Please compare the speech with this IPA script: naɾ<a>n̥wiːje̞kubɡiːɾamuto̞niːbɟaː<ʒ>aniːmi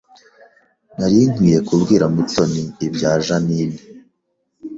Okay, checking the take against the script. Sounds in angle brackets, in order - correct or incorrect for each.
incorrect: i, correct

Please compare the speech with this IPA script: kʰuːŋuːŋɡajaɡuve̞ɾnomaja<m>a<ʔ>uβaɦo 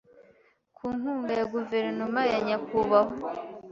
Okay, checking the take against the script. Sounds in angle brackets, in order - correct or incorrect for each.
incorrect: ɲ, incorrect: k

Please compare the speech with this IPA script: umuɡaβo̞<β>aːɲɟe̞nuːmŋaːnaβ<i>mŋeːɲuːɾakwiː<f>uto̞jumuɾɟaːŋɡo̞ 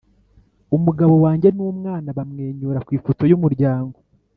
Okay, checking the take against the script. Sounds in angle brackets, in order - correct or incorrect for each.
incorrect: w, incorrect: a, correct

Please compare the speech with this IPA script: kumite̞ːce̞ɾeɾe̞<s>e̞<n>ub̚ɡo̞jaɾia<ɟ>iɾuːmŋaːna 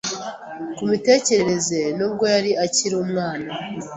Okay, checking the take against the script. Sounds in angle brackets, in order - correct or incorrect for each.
incorrect: z, correct, incorrect: c

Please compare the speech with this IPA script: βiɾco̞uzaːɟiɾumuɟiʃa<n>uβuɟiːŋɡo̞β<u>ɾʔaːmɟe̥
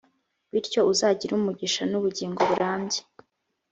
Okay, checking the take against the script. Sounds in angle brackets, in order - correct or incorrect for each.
correct, correct

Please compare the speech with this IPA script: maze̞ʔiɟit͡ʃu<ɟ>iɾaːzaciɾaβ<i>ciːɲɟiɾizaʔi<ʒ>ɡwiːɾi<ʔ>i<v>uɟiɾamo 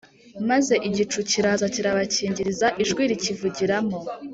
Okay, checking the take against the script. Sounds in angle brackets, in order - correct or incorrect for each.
incorrect: c, incorrect: a, correct, incorrect: c, correct

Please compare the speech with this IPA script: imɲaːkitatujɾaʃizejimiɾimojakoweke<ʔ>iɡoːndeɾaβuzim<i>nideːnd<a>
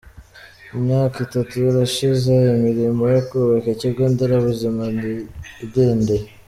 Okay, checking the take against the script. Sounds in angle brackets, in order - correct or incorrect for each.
incorrect: c, incorrect: a, incorrect: e

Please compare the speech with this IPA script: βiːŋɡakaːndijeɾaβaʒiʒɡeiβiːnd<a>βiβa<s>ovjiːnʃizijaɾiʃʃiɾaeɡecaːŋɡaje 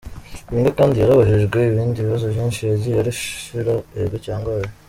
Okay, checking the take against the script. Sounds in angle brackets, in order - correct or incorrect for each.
incorrect: i, incorrect: z

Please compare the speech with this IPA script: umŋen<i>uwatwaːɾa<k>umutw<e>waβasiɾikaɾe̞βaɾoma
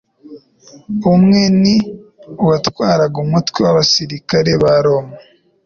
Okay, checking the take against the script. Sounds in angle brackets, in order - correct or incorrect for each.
correct, incorrect: ɡ, correct

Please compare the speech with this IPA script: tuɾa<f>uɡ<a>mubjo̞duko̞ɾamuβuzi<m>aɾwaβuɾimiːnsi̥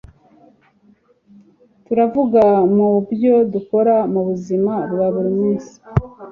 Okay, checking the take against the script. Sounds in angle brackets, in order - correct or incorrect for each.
incorrect: v, correct, correct

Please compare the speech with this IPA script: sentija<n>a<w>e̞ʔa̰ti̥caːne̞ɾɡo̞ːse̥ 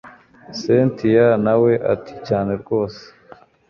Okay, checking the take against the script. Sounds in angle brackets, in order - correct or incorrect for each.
correct, correct

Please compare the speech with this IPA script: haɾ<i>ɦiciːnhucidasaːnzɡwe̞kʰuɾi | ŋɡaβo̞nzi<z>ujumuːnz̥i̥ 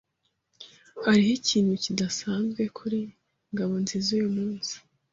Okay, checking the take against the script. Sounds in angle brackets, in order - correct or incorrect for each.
correct, correct

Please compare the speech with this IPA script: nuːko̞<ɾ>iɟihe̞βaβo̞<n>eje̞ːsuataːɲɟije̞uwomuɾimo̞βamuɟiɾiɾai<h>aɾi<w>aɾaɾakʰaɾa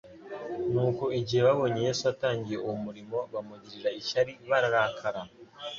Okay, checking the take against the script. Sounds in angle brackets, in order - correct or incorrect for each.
incorrect: none, incorrect: ɲ, incorrect: ʃ, incorrect: β

